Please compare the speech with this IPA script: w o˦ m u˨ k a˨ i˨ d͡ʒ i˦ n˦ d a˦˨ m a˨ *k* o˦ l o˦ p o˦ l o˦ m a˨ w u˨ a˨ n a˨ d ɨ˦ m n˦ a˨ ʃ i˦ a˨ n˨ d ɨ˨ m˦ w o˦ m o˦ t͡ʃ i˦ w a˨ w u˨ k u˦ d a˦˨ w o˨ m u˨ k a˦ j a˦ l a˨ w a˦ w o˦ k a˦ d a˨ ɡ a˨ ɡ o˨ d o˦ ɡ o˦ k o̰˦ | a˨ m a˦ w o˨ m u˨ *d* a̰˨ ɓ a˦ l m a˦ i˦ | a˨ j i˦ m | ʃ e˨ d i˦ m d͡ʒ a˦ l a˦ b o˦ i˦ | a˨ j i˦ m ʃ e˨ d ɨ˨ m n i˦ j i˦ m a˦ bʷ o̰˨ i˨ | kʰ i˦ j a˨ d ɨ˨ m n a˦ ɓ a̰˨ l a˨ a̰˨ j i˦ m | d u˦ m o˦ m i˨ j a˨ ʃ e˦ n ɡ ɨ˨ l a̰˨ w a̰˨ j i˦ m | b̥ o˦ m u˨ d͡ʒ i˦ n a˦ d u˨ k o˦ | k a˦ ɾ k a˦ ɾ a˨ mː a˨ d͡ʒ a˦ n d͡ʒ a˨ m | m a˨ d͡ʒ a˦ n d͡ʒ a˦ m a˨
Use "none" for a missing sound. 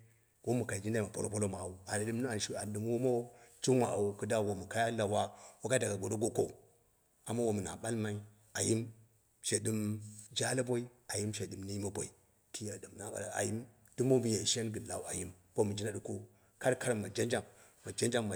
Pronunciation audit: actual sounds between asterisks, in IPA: p, n

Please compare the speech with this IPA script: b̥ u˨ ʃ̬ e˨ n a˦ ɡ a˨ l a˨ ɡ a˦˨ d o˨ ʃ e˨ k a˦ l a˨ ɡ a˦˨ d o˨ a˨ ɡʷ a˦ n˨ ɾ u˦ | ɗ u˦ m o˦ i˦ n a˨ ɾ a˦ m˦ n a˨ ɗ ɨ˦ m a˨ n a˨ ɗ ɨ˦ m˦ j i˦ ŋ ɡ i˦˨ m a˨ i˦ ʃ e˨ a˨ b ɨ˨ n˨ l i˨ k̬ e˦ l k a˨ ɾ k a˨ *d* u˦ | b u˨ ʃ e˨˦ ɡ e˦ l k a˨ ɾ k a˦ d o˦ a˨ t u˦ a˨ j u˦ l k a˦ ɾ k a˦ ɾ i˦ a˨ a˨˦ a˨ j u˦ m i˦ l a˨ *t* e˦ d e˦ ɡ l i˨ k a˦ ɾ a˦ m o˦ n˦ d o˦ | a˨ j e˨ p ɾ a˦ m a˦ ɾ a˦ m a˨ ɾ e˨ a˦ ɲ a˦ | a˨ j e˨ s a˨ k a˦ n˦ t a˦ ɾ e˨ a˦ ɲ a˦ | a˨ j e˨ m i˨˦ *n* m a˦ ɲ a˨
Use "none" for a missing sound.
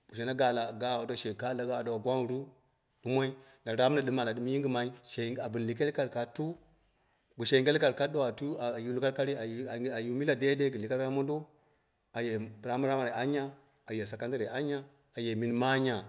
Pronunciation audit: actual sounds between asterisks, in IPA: t, d, n

